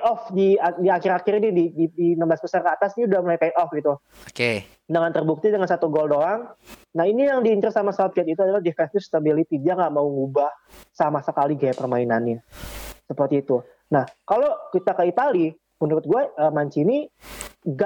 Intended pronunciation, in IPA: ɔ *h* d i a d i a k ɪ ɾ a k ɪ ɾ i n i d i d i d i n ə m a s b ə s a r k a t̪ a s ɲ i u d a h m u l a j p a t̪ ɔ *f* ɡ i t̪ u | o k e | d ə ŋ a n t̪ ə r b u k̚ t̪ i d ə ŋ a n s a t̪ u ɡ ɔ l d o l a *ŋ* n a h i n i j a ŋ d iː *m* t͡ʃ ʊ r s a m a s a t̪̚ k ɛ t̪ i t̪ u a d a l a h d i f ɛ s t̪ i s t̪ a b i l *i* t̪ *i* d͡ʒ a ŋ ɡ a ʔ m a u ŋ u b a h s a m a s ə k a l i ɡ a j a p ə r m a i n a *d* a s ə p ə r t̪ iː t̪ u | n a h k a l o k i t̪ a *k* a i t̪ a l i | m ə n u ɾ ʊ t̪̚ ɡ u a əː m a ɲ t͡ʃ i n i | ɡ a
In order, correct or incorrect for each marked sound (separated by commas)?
incorrect, correct, correct, incorrect, correct, correct, incorrect, correct